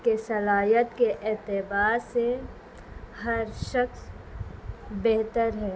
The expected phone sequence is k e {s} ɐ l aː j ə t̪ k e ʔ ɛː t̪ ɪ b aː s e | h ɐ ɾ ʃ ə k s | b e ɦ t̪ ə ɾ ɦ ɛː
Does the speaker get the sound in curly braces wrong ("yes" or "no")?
no